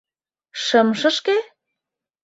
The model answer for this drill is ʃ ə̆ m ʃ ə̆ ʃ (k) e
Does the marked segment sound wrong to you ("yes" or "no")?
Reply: no